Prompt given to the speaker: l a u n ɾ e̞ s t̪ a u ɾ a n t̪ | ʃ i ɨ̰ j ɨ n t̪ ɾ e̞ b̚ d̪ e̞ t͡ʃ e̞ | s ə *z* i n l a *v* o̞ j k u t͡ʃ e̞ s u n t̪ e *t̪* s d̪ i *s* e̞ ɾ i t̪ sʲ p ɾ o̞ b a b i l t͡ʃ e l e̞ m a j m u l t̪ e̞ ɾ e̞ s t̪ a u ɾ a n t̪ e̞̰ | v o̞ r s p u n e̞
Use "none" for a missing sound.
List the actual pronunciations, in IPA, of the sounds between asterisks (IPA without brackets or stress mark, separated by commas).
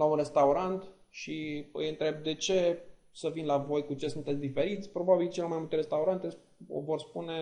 v, v, t̪, f